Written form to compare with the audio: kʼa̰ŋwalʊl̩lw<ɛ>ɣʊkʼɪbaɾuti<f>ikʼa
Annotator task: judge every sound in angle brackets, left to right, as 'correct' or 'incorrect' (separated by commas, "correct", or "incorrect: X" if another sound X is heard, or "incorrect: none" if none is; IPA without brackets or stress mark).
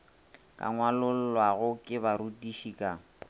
incorrect: a, incorrect: ʃ